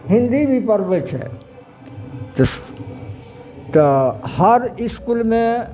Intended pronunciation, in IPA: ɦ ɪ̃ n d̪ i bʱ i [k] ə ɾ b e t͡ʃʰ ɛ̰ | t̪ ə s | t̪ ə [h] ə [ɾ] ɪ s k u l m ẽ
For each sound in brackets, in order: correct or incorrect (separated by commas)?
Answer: incorrect, correct, correct